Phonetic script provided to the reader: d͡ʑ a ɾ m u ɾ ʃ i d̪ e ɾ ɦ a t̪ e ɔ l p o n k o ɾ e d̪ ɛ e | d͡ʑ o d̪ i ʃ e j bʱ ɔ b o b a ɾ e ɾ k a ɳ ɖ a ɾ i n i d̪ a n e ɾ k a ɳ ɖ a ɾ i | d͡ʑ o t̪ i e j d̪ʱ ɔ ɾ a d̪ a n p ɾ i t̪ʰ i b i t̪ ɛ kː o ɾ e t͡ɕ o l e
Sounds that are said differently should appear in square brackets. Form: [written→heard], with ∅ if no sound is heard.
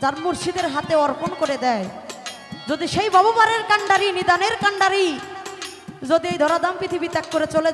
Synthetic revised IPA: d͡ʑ a ɾ m u ɾ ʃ i d̪ e ɾ ɦ a t̪ e ɔ [l→ɾ] p o n k o ɾ e d̪ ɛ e | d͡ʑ o d̪ i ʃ e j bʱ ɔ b o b a ɾ e ɾ k a ɳ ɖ a ɾ i n i d̪ a n e ɾ k a ɳ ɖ a ɾ i | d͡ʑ o [t̪→d̪] i e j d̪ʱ ɔ ɾ a d̪ a [n→m] p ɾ i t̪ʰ i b i t̪ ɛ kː o ɾ e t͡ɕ o l e

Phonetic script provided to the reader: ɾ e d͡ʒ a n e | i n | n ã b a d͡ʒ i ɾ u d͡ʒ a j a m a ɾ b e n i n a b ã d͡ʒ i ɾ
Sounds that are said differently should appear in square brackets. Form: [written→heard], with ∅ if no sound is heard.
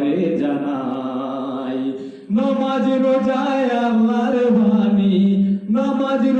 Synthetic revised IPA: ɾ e d͡ʒ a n [e→a] | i [n→∅] | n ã [b→m] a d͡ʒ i ɾ [u→o] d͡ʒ a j a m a ɾ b [e→a] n i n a [b→m] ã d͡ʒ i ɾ

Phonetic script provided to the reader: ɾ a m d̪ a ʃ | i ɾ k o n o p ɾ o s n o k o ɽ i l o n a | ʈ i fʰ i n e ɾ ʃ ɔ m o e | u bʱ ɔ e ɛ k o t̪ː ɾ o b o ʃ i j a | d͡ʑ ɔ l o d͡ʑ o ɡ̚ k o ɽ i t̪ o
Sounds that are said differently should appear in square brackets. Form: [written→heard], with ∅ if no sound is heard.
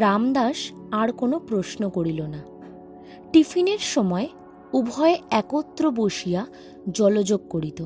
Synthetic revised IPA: ɾ a m d̪ a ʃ | [i→a] ɾ k o n o p ɾ o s n o k o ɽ i l o n a | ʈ i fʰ i n e ɾ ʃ ɔ m [o→ɔ] e | u bʱ ɔ e ɛ k o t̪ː ɾ o b o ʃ i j a | d͡ʑ ɔ l o d͡ʑ o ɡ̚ k o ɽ i t̪ o

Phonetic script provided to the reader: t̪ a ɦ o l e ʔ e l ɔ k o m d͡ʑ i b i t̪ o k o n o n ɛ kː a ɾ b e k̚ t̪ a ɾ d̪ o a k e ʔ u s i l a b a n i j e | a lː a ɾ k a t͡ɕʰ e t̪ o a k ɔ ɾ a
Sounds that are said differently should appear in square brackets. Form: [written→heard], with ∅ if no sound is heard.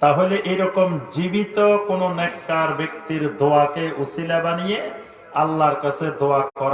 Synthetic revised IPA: t̪ a ɦ o l e ʔ e [l→ɾ] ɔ k o m d͡ʑ i b i t̪ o k o n o n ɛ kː a ɾ b e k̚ t̪ [a→i] ɾ d̪ o a k e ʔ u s i l a b a n i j e | a lː a ɾ k a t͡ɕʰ e [t̪→d̪] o a k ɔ ɾ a

